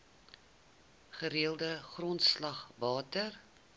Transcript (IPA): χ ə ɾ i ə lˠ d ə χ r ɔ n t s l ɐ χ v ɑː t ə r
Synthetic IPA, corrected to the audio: χ ə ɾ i ə lˠ d ə χ r ɔ n t s l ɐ χ v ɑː t ə r